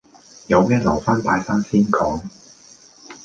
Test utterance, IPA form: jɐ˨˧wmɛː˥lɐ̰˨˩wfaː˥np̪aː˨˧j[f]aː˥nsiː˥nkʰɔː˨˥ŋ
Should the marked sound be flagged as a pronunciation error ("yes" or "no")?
yes